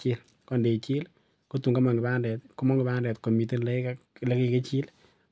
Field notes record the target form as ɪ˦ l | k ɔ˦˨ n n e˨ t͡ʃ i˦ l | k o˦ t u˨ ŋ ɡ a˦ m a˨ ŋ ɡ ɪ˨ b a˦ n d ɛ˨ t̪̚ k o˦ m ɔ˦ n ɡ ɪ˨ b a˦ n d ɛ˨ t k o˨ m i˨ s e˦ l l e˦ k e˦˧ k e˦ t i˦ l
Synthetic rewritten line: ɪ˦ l | k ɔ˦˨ n d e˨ t͡ʃ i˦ l | k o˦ t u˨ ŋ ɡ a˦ m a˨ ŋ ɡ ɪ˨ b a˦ n d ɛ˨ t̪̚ k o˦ m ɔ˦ ŋ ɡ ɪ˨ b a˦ n d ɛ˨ t k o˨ m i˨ t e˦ l l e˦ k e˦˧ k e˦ t͡ʃ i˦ l